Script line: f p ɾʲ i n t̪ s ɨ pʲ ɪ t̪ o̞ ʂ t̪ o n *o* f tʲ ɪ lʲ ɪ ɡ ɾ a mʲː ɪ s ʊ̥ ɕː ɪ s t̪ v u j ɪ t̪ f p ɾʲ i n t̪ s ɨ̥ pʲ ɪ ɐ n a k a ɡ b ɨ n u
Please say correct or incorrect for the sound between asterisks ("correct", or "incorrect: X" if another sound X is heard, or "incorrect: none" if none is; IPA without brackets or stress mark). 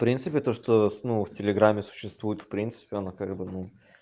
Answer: incorrect: u